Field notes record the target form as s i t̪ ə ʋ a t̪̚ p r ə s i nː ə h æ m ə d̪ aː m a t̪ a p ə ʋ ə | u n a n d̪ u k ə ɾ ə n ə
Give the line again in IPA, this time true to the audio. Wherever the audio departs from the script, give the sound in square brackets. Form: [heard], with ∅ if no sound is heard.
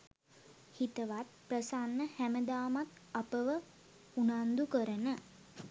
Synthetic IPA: [h] i t̪ ə ʋ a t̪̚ p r ə s [a] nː ə h æ m ə d̪ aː m a t̪ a p ə ʋ ə | u n a n d̪ u k ə ɾ ə n ə